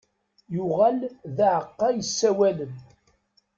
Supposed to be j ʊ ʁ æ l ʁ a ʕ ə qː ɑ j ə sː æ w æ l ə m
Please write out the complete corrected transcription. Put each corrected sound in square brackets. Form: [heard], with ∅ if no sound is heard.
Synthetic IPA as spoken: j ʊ ʁ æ l [ð] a ʕ ə qː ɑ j ə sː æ w æ l ə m